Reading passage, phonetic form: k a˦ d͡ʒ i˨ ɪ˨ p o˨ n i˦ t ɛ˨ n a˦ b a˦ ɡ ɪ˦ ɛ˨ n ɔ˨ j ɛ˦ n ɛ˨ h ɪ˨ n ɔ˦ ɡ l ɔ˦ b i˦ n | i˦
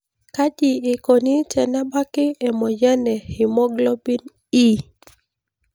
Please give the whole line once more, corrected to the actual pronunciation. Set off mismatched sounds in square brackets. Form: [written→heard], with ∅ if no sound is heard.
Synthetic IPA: k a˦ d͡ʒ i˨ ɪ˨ [p→k] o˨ n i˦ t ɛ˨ n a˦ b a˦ [ɡ→k] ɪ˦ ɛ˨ [n→m] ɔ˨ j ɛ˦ n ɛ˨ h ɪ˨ [n→m] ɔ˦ ɡ l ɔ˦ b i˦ n | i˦